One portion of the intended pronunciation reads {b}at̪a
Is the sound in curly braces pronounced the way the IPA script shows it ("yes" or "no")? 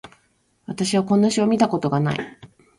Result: no